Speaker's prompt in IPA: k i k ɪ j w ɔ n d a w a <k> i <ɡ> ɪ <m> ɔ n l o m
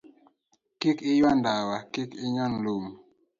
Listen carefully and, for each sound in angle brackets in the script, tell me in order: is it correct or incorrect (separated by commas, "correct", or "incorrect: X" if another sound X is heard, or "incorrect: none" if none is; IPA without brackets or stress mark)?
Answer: correct, incorrect: k, incorrect: ɲ